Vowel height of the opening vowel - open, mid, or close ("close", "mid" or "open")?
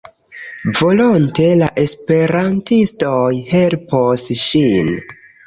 mid